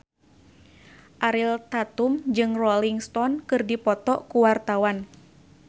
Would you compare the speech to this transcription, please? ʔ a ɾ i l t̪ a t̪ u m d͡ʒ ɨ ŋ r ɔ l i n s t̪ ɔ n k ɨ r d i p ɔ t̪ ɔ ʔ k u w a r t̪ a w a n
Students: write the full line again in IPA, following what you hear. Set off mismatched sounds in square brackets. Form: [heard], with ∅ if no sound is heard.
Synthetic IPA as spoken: ʔ a ɾ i l t̪ a t̪ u m d͡ʒ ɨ ŋ r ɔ l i [ŋ] s t̪ ɔ n k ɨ r d i p ɔ t̪ ɔ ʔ k u w a r t̪ a w a n